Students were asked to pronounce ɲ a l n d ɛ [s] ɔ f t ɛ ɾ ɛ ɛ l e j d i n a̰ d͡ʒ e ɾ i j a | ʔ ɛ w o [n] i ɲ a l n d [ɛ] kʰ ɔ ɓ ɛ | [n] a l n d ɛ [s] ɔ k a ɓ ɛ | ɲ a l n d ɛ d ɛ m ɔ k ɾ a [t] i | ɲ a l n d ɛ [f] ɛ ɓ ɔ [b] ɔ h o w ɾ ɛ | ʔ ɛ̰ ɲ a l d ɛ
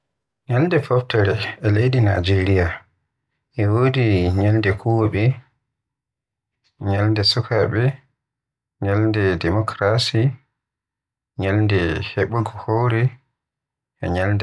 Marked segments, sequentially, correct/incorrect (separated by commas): incorrect, incorrect, correct, incorrect, correct, incorrect, incorrect, incorrect